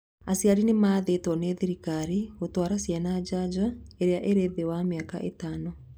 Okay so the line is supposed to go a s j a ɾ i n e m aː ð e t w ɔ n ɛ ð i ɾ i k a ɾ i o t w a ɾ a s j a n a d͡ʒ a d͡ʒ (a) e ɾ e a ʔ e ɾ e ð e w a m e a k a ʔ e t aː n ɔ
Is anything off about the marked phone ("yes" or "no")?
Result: no